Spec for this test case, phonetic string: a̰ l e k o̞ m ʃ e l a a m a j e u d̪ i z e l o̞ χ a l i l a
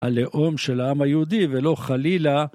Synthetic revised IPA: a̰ l e ʔ o̞ m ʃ e l a a m a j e u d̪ i v e l o̞ χ a l i l a